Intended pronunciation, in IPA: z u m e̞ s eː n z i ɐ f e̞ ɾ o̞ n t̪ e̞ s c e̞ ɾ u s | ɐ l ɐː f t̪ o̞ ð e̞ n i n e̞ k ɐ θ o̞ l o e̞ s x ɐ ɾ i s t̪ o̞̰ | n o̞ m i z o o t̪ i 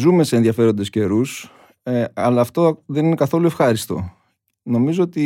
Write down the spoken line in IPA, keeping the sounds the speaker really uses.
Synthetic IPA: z u m e̞ s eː n ð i ɐ f e̞ ɾ o̞ n d̪ e̞ s c e̞ ɾ u s | ɐ l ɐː f t̪ o̞ ð e̞ n i n e̞ k ɐ θ o̞ l u e̞ f x ɐ ɾ i s t̪ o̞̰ | n o̞ m i z o o t̪ i